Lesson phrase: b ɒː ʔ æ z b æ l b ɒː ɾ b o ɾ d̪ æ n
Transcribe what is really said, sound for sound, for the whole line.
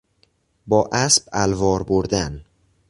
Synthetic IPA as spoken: b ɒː ʔ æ s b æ l v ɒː ɾ b o ɾ d̪ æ n